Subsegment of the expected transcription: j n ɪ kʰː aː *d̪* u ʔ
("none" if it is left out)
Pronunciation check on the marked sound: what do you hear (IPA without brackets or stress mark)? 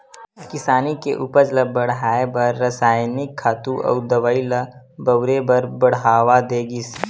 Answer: t̪